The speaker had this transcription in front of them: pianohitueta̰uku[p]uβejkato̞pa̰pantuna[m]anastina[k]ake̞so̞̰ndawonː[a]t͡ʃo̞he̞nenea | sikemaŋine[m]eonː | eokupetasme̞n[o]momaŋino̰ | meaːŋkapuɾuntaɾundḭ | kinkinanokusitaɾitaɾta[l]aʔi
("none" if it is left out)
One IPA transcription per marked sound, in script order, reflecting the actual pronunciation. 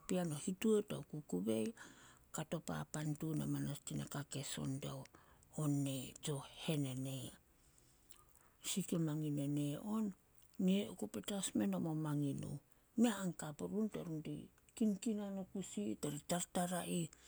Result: k, m, k, e, n, o, ɾ

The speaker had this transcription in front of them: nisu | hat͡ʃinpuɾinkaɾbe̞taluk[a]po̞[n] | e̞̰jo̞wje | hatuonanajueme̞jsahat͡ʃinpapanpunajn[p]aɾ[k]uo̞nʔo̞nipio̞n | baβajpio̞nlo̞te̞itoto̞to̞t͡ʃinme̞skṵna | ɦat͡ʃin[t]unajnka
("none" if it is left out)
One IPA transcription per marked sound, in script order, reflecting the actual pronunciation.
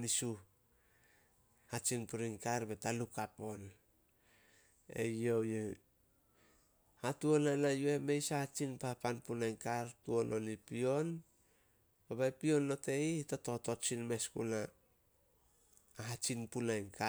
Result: a, n, k, t, p

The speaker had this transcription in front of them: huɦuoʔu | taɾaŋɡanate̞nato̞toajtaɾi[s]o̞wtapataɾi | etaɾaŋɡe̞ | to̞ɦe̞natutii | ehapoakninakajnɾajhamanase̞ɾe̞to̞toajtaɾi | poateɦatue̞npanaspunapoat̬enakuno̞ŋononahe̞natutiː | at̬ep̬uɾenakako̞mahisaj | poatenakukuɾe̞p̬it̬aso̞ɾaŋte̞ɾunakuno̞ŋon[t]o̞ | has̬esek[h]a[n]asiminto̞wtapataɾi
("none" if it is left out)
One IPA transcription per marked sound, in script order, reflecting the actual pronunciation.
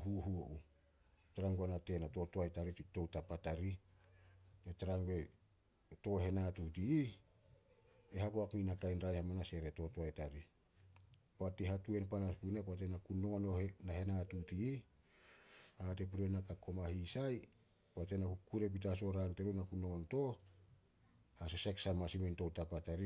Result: t, t, s, m

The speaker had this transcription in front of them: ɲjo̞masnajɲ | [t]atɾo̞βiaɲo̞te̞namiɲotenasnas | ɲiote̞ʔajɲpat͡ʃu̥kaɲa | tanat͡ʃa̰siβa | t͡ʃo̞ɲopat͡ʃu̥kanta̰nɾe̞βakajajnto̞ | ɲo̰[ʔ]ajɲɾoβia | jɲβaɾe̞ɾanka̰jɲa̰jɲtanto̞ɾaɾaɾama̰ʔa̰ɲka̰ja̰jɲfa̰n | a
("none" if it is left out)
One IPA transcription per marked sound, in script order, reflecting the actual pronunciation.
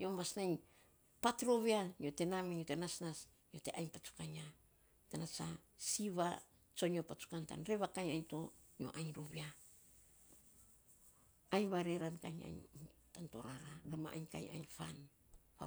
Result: p, ʔ

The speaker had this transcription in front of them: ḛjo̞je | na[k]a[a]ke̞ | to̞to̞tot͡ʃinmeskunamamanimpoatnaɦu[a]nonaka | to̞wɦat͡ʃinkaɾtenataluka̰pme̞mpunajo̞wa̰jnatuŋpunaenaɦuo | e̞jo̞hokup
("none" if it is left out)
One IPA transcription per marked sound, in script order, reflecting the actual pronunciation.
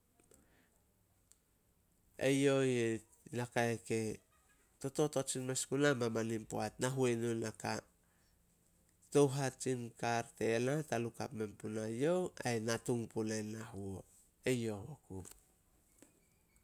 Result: k, e, e

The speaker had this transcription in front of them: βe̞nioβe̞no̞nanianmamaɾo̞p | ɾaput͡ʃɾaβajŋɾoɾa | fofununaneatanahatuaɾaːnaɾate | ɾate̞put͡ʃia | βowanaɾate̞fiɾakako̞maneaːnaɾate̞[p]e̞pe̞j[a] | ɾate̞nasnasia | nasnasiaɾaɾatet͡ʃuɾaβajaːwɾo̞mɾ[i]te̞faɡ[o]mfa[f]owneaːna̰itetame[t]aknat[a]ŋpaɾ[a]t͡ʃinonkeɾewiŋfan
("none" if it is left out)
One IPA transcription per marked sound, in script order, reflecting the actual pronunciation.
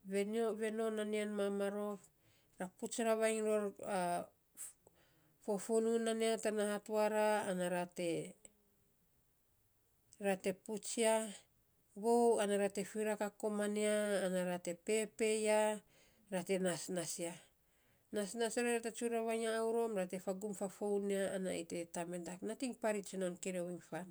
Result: p, a, a, u, f, d, i, i

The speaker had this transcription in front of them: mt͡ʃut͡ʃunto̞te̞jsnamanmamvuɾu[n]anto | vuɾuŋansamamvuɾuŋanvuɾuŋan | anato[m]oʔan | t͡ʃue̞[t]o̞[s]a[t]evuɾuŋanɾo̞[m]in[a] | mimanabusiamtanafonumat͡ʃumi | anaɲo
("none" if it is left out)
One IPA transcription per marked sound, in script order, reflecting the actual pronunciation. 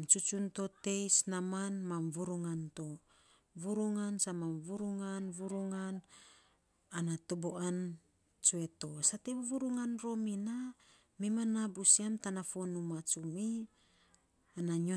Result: ŋ, b, t, s, t, m, a

